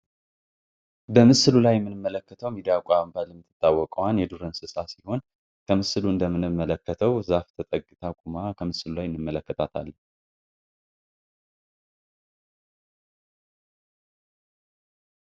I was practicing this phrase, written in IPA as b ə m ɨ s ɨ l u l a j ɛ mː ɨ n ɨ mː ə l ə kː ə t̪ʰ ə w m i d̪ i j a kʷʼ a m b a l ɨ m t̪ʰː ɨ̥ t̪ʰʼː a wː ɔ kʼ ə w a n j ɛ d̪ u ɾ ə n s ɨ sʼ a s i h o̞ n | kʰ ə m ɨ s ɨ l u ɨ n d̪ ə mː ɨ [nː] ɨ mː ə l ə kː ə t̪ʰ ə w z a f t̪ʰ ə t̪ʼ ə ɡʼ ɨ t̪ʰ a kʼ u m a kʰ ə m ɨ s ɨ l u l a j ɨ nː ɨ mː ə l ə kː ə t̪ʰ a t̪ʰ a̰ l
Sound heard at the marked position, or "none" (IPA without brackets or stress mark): n